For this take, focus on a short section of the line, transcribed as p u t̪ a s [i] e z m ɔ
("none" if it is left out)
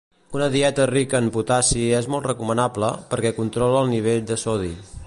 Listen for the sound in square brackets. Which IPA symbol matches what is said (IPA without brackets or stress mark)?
i